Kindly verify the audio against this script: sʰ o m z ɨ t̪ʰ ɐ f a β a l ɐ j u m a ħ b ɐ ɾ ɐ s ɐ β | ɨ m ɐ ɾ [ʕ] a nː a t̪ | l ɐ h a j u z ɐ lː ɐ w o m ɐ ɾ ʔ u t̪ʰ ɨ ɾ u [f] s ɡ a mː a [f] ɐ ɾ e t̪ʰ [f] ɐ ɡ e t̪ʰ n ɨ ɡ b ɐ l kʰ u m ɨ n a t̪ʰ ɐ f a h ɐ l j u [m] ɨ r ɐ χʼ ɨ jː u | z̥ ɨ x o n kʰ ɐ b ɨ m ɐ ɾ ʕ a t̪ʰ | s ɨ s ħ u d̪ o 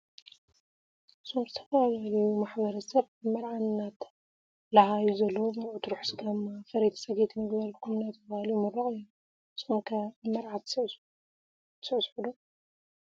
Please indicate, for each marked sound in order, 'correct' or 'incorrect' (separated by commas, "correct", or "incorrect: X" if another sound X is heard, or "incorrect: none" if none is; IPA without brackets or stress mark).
correct, incorrect: ħ, correct, incorrect: s, correct